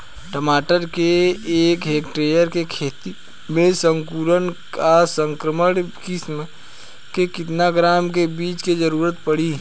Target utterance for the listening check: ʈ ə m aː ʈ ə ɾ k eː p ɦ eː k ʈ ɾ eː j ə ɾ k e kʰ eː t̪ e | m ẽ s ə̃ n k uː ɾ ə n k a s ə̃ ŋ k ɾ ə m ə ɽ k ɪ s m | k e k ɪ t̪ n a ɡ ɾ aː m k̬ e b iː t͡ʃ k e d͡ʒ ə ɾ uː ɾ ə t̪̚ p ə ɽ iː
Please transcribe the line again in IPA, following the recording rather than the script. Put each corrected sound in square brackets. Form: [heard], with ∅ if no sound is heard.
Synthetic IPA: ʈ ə m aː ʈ ə ɾ k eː [k] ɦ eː k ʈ ɾ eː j ə ɾ k e kʰ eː t̪ [i] | m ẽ s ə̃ [ŋ] k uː ɾ ə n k a s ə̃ ŋ k ɾ ə m ə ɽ k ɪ s m | k e k ɪ t̪ n a ɡ ɾ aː m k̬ e b iː t͡ʃ k e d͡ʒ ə ɾ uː ɾ ə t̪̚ p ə ɽ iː